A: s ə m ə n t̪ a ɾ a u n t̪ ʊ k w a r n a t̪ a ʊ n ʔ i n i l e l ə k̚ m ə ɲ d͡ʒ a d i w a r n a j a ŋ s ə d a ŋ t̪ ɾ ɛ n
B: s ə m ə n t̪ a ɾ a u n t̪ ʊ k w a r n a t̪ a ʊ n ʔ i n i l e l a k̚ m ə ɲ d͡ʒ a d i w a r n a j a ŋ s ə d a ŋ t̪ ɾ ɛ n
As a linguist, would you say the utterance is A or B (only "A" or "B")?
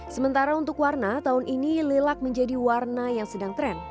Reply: B